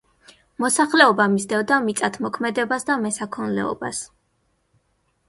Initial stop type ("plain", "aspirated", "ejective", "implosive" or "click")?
plain